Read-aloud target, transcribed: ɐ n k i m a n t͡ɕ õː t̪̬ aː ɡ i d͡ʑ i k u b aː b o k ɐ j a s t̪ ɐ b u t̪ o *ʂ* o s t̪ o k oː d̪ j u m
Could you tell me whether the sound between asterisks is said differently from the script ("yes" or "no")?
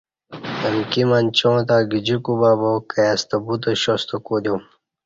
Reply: yes